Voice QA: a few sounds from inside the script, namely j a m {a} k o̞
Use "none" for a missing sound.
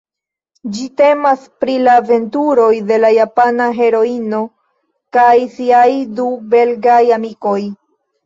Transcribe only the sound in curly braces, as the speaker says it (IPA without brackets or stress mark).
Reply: i